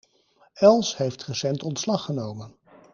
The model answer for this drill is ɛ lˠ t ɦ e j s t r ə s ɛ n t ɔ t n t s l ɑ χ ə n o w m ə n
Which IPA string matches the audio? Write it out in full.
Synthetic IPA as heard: ɛ lˠ s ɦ e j f t r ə s ɛ n t ɔ n t s l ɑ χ ə n o w m ə n